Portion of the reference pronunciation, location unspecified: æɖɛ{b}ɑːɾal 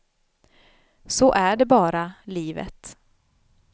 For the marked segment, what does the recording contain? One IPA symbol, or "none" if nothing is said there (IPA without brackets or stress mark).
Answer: b